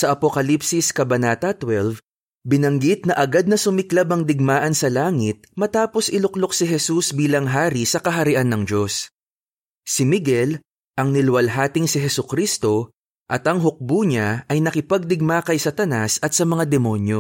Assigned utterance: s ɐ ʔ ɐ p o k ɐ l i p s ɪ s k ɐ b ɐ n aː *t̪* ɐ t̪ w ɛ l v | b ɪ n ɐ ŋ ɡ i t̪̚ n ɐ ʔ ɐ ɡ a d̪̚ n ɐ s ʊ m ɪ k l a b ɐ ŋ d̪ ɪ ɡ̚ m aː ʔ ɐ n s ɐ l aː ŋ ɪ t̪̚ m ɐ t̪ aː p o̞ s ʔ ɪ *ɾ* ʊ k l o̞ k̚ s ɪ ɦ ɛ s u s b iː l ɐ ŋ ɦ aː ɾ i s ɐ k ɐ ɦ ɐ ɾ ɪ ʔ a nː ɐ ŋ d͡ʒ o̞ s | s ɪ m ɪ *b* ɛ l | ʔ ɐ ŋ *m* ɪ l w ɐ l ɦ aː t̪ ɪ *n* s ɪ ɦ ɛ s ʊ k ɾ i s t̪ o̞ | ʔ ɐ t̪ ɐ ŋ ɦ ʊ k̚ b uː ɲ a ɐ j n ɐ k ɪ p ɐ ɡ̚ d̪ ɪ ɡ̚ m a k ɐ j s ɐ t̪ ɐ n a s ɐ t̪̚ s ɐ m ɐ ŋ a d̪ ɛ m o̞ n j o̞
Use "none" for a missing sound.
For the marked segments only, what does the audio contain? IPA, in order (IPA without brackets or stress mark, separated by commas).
t̪, l, ɡ, n, ŋ